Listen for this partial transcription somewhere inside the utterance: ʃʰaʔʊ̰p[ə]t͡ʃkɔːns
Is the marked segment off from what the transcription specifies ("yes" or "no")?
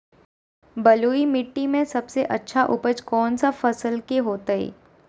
no